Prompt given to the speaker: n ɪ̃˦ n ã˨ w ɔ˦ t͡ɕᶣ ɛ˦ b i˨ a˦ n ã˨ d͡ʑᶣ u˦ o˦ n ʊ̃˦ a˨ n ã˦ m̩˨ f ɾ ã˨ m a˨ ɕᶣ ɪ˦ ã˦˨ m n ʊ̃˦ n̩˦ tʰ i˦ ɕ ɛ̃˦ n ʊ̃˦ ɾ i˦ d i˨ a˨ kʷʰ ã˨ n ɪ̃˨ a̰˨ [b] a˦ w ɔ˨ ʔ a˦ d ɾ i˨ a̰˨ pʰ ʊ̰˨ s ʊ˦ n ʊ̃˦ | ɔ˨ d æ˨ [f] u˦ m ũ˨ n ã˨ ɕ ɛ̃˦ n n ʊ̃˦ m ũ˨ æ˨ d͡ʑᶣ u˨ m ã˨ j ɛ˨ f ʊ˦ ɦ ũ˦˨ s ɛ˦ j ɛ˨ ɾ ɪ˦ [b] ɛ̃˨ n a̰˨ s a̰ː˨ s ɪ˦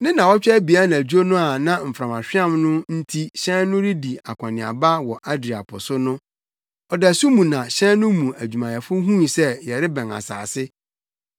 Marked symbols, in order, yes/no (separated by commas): yes, no, yes